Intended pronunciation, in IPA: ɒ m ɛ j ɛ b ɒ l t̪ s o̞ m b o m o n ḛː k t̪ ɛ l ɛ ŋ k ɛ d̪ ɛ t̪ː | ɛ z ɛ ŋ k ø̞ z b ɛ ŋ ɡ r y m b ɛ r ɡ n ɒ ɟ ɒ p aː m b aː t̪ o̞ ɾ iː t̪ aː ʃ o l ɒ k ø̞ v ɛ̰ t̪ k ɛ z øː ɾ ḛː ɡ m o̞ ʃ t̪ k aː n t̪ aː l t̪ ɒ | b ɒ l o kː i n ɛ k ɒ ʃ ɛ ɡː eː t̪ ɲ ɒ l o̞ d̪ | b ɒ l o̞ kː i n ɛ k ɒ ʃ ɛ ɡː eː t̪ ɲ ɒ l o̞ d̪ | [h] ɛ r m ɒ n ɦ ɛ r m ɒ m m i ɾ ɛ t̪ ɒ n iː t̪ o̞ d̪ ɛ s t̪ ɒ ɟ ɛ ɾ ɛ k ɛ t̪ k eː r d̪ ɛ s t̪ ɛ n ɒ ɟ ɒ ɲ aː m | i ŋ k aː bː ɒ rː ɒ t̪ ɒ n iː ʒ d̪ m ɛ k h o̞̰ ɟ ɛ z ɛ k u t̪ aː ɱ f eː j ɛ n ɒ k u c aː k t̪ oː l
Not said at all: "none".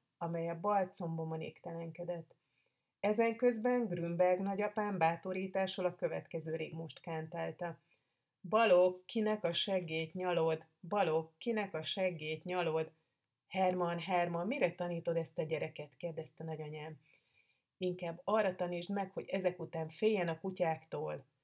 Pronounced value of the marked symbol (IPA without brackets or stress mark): h